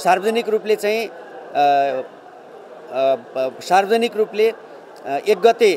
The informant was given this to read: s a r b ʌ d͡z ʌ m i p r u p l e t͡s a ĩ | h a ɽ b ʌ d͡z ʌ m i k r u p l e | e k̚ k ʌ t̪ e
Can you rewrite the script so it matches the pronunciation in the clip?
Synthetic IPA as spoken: s a r b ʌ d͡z ʌ n i k r u p l e t͡s a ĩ | s a r b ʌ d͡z ʌ n i k r u p l e | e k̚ ɡ ʌ t̪ e